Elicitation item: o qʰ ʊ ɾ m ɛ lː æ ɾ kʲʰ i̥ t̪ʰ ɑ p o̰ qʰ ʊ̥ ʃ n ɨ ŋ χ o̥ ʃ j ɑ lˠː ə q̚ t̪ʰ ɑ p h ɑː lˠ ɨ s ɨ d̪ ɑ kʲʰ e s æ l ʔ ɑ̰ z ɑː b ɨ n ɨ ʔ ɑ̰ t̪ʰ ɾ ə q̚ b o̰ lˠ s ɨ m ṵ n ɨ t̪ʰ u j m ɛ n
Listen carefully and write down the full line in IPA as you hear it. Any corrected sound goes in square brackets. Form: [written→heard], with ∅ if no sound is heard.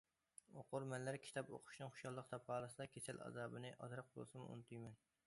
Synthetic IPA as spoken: o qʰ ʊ ɾ m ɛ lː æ ɾ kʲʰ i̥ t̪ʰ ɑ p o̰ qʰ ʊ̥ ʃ n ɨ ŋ χ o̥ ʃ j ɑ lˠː ə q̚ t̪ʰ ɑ p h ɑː lˠ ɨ s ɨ d̪ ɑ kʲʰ e s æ l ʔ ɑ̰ z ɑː b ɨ n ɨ ʔ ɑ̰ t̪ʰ ɾ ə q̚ b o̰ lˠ s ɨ m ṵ n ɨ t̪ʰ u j m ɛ n